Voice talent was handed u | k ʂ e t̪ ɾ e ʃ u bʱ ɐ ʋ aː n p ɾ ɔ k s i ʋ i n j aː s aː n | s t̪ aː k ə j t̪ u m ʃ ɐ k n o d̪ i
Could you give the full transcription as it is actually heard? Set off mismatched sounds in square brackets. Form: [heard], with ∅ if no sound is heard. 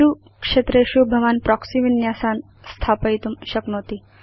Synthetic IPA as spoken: u | k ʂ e t̪ ɾ e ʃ u bʱ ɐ ʋ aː n p ɾ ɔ k s i ʋ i n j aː s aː n | s [t̪ʰ] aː [p] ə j t̪ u m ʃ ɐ k n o [t̪] i